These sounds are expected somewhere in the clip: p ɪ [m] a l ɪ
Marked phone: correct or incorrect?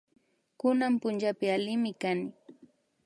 incorrect